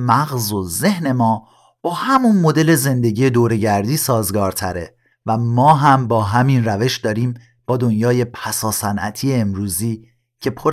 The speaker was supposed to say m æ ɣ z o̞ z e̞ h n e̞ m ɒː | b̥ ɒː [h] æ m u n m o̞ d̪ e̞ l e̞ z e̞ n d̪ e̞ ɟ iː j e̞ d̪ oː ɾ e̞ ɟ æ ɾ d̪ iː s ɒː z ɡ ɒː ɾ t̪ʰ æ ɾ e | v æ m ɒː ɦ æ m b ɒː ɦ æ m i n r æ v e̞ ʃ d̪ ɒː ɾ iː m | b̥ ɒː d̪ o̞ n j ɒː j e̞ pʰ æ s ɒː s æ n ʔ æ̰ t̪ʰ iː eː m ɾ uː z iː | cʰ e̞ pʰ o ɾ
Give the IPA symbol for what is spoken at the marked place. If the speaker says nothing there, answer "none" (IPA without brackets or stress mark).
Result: h